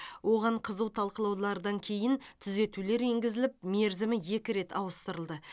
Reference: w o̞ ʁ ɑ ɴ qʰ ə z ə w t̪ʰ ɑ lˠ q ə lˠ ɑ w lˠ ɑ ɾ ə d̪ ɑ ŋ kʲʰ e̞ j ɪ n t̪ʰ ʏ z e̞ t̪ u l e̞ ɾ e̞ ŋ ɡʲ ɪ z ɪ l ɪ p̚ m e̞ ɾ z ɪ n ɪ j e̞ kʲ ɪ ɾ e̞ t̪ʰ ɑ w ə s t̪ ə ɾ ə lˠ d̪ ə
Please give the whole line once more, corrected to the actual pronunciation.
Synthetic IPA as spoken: w o̞ ʁ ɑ ɴ qʰ ə z ə w t̪ʰ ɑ lˠ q ə lˠ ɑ w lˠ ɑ ɾ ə d̪ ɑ ŋ kʲʰ e̞ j ɪ n t̪ʰ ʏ z e̞ t̪ u l e̞ ɾ e̞ ŋ ɡʲ ɪ z ɪ l ɪ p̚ m e̞ ɾ z ɪ m ɪ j e̞ kʲ ɪ ɾ e̞ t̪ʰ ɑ w ə s t̪ ə ɾ ə lˠ d̪ ə